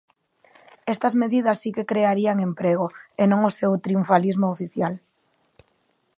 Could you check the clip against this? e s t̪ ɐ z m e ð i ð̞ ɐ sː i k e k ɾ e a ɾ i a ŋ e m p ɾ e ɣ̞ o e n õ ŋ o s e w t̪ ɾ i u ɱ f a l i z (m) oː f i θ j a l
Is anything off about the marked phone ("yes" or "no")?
no